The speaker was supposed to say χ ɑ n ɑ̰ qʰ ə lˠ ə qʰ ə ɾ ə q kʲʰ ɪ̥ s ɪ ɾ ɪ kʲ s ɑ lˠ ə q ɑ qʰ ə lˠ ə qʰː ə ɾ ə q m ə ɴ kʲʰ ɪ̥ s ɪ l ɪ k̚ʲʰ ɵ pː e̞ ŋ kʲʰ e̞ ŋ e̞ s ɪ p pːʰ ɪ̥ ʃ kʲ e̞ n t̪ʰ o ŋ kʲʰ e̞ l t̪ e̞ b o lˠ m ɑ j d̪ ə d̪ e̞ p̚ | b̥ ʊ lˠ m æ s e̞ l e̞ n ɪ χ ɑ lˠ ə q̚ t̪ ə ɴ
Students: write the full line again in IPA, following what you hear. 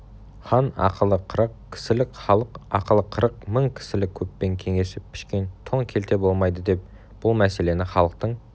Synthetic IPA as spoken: χ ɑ n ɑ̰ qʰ ə lˠ ə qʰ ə ɾ ə q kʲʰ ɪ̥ s ɪ l ɪ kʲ χ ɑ lˠ ə q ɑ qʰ ə lˠ ə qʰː ə ɾ ə q m ə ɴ kʲʰ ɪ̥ s ɪ l ɪ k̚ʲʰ ɵ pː e̞ ŋ kʲʰ e̞ ŋ e̞ s ɪ p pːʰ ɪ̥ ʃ kʲ e̞ n t̪ʰ o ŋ kʲʰ e̞ l t̪ e̞ b o lˠ m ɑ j d̪ ə d̪ e̞ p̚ | b̥ ʊ lˠ m æ s e̞ l e̞ n ɪ χ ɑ lˠ ə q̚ t̪ ə ɴ